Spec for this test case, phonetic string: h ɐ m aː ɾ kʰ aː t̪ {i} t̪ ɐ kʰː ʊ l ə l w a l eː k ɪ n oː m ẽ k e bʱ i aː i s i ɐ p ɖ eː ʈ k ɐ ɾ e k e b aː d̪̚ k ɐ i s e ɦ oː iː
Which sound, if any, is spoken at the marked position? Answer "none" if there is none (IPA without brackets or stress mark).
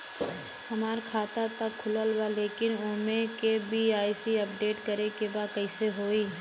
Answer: a